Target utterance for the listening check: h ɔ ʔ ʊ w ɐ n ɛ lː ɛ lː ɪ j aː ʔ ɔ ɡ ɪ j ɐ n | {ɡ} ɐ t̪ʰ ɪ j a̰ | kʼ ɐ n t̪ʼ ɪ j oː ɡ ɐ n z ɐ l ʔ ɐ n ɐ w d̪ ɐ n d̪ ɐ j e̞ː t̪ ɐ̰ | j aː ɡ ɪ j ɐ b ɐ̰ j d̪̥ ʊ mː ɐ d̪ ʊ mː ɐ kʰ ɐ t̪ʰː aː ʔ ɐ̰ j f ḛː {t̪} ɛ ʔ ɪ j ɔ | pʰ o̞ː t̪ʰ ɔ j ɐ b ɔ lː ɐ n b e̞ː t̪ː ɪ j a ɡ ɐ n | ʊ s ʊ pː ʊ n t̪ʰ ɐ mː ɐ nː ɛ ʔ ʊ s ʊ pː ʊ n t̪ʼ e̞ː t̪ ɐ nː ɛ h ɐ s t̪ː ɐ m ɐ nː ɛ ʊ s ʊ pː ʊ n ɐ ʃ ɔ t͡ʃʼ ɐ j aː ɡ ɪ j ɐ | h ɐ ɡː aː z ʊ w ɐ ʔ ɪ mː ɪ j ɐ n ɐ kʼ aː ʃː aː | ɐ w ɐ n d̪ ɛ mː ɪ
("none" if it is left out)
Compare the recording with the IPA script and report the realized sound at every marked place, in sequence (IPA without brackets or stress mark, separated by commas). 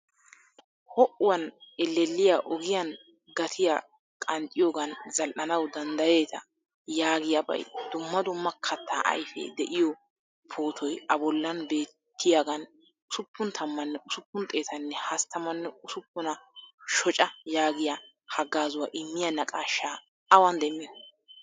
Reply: ɡ, d̪